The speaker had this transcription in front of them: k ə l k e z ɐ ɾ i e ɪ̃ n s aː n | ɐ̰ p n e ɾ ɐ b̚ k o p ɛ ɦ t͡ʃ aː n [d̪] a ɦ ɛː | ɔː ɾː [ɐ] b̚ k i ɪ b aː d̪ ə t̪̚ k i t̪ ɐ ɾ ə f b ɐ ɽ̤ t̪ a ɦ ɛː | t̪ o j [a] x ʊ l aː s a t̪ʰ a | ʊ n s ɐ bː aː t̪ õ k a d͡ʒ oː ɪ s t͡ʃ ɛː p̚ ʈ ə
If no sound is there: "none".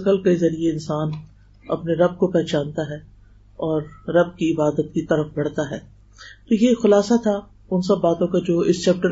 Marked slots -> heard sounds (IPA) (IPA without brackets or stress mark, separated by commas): t̪, ɐ, e